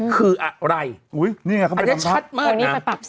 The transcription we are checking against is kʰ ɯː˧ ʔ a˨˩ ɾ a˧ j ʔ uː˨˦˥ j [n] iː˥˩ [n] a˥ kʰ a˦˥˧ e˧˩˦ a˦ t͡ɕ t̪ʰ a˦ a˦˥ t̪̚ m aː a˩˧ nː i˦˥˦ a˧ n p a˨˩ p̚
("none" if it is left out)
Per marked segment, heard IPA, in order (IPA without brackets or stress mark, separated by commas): n, ŋ